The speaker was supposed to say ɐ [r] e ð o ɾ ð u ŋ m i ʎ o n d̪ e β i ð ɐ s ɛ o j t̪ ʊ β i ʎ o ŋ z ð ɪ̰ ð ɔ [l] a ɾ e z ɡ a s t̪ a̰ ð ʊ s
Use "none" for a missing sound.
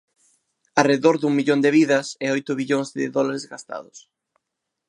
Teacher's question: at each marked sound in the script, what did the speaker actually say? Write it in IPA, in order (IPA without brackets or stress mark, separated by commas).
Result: r, l